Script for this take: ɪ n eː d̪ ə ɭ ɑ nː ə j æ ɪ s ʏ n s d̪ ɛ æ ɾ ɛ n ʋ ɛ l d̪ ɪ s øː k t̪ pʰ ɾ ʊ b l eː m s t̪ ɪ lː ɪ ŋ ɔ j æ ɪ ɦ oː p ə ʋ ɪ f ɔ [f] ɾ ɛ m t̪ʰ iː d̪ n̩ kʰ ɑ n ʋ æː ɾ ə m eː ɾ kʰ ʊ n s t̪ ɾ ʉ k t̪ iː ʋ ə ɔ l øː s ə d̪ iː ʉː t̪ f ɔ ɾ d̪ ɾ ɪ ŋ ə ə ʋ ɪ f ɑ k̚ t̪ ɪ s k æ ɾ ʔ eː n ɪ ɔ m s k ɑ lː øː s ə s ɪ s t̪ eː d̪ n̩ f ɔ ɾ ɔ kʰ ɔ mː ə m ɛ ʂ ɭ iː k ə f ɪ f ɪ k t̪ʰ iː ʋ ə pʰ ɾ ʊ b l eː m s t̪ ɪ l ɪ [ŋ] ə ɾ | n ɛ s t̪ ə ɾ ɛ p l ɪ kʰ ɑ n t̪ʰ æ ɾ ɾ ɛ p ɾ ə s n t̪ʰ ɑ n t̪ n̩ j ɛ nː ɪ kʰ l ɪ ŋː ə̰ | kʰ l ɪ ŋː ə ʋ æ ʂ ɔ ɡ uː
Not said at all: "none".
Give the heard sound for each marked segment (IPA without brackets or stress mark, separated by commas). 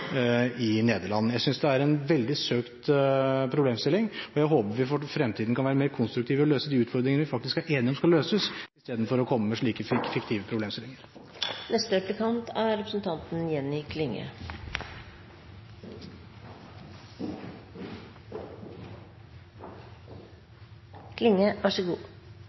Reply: f, ŋ